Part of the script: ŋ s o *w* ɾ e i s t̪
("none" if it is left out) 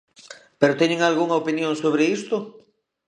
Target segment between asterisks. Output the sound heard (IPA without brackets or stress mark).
β